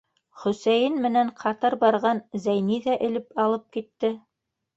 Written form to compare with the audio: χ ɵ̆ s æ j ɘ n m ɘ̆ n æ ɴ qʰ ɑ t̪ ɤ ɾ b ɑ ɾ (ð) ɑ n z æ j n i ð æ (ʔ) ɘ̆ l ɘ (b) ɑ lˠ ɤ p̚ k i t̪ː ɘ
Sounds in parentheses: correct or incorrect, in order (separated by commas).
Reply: incorrect, correct, incorrect